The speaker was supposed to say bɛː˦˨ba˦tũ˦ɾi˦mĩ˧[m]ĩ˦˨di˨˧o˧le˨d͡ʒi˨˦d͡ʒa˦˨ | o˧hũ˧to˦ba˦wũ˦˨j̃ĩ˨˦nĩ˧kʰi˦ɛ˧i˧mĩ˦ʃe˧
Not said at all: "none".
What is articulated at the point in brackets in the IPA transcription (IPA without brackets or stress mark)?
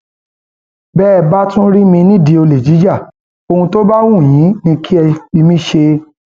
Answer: n